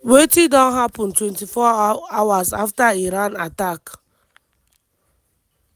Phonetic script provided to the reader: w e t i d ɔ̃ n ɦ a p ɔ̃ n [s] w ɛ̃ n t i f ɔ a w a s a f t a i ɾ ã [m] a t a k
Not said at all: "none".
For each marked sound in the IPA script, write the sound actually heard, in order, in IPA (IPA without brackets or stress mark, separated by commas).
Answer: t, n